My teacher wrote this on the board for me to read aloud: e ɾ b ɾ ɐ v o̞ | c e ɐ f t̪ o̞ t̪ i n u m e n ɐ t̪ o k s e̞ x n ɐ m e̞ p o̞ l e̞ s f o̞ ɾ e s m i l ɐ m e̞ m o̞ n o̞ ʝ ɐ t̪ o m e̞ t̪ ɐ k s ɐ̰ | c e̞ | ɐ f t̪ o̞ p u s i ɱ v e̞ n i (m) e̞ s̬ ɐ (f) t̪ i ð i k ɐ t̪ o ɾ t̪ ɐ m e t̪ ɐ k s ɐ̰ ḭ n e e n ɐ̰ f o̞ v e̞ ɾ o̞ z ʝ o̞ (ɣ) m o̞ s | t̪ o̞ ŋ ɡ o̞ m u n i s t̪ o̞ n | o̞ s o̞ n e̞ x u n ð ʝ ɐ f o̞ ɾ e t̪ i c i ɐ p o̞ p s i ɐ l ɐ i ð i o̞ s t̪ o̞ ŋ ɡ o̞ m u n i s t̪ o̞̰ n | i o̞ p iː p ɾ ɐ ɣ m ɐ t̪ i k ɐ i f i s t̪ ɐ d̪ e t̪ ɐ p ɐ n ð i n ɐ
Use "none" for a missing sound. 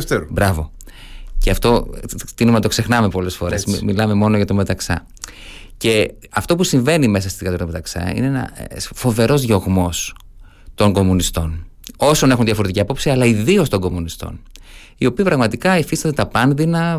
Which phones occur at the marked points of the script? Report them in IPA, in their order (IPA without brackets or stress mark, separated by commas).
m, s, ɣ